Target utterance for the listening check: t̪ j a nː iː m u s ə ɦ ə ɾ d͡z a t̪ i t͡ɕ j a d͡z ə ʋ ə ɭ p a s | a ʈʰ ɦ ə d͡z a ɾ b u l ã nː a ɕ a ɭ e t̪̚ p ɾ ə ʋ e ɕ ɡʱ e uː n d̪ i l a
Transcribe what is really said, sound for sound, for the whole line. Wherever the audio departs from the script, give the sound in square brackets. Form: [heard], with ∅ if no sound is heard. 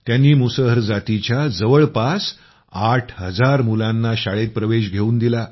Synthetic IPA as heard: t̪ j a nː iː m u s ə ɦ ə ɾ d͡z a t̪ i t͡ɕ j a d͡z ə ʋ ə ɭ p a s | a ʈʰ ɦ ə d͡z a ɾ [m] u l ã nː a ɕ a ɭ e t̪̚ p ɾ ə ʋ e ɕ ɡʱ e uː n d̪ i l a